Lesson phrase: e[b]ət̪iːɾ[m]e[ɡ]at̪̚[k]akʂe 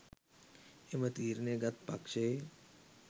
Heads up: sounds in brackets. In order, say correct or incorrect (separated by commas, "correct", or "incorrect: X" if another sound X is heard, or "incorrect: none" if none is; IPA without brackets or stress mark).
incorrect: m, incorrect: n, correct, incorrect: p